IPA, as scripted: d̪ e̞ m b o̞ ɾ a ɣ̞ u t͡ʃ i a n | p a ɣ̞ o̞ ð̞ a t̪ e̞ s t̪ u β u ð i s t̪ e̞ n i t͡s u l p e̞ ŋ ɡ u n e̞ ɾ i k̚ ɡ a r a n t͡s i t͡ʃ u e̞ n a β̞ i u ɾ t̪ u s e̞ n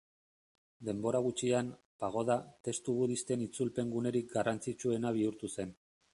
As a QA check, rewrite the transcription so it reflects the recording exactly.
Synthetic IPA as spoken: d̪ e̞ m b o̞ ɾ a ɣ̞ u t͡ʃ i a n | p a ɣ̞ o̞ ð̞ a t̪ e̞ s t̪ u β u ð i s t̪ e̞ n i t͡s u l p e̞ ŋ ɡ u n e̞ ɾ i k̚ ɡ a r a n t͡s i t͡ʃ u e̞ n a β̞ i u ɾ t̪ u s e̞ n